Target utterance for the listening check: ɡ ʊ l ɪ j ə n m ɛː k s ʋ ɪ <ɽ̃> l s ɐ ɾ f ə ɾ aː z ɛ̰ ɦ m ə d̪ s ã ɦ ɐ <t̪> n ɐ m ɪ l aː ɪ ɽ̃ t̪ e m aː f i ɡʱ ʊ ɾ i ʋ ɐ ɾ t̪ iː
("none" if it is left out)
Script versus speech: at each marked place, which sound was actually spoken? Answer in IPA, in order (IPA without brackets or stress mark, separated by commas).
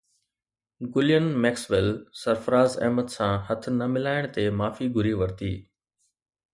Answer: none, t̪ʰ